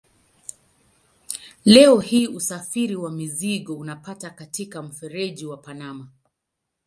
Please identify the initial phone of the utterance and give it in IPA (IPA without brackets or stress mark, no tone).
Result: l